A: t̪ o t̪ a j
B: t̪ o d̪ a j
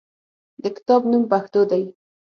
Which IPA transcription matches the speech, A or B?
B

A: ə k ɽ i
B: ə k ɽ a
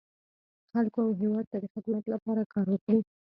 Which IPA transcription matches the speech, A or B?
A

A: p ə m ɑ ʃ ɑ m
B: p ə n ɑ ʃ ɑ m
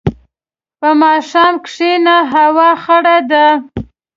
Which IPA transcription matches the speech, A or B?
A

